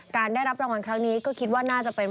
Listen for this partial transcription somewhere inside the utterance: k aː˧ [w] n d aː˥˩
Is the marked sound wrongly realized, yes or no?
yes